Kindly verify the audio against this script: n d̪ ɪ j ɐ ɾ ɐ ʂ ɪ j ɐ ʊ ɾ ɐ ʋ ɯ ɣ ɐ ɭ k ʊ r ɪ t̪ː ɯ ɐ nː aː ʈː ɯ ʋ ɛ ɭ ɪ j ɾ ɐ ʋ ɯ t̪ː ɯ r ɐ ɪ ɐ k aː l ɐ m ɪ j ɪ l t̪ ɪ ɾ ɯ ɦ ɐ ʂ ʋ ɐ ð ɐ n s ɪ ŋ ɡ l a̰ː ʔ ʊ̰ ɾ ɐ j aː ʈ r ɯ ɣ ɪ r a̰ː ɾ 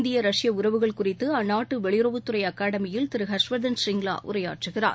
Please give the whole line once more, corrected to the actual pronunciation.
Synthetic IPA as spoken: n d̪ ɪ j ɐ ɾ ɐ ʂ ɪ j ɐ ʊ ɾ ɐ ʋ ɯ ɣ ɐ ɭ k ʊ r ɪ t̪ː ɯ ɐ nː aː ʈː ɯ ʋ ɛ ɭ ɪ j ɾ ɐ ʋ ɯ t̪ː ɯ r ɐ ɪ ɐ k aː ɽ ɐ m ɪ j ɪ l t̪ ɪ ɾ ɯ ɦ ɐ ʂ ʋ ɐ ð ɐ n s ɪ ŋ ɡ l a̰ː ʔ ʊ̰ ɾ ɐ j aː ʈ r ɯ ɣ ɪ r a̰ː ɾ